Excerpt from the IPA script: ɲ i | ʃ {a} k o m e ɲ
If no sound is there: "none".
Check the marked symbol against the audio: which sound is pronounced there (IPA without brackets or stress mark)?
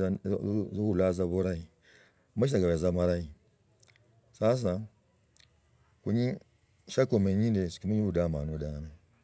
a